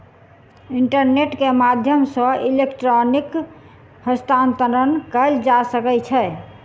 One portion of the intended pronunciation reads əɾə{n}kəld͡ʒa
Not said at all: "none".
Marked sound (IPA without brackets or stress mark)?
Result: n